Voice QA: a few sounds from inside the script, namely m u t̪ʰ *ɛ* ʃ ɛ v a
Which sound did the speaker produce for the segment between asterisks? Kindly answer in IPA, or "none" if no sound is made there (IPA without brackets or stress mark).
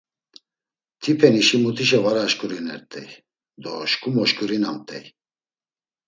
i